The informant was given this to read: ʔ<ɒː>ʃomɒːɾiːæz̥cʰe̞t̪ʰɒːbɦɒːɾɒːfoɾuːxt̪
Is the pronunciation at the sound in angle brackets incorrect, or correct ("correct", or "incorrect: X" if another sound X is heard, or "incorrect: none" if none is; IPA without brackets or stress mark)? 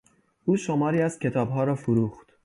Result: incorrect: uː